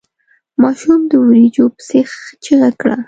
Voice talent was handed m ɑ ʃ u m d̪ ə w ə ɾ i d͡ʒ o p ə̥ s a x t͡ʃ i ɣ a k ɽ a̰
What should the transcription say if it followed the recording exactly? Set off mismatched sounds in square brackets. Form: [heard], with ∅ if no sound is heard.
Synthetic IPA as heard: m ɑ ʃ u m d̪ ə w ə ɾ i d͡ʒ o p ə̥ s [e] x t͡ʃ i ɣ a k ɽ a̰

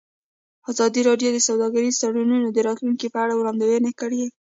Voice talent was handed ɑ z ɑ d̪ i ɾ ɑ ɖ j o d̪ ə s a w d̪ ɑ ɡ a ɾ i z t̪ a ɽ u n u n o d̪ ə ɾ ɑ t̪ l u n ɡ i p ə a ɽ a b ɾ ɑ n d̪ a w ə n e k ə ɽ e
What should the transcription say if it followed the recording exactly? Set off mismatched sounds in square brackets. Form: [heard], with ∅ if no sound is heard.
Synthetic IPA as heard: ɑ z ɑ d̪ i ɾ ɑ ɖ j o d̪ ə s a w d̪ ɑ ɡ a ɾ i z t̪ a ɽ u n u n o d̪ ə ɾ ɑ t̪ l u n [k] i p ə a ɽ a [w] ɾ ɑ n d̪ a w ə n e k ə ɽ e

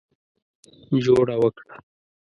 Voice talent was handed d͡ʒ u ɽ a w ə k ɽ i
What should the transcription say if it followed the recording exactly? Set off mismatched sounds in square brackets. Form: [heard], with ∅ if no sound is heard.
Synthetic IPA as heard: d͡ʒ [o] ɽ a w ə k ɽ [a]

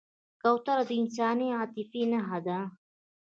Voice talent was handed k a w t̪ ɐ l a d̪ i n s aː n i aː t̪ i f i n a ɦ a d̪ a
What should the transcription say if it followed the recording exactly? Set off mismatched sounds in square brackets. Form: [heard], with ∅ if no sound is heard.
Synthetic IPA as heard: k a w t̪ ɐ [ɾ] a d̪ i n s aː n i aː t̪ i f i n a ɦ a d̪ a

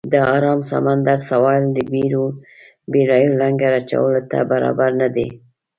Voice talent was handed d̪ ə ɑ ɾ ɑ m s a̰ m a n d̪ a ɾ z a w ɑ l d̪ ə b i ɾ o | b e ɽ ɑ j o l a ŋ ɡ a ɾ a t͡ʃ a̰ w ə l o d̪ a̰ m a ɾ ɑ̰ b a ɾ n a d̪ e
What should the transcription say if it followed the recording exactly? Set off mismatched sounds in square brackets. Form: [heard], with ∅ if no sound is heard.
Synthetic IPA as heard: d̪ ə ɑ ɾ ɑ m s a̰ m a n d̪ a ɾ [s] a w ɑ l d̪ ə b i ɾ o | b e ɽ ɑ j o l a ŋ ɡ a ɾ a t͡ʃ a̰ w ə l o [t̪] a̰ [b] a ɾ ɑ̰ b a ɾ n a d̪ e

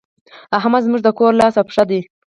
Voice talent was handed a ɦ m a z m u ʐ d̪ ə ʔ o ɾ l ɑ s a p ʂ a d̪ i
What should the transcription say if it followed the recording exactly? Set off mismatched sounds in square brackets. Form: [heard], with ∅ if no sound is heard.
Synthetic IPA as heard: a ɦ m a z m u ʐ d̪ ə [k] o ɾ l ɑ s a p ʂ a d̪ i

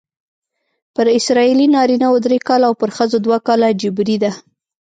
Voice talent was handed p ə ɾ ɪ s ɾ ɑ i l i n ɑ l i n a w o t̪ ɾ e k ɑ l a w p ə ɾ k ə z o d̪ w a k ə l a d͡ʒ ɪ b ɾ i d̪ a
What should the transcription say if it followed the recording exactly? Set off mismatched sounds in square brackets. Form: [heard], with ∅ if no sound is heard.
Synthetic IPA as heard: p ə ɾ ɪ s ɾ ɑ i l i n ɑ [ɾ] i n a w o [d̪] ɾ e k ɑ l a w p ə ɾ [x] ə z o d̪ w a k [ɑ] l a d͡ʒ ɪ b ɾ i d̪ a

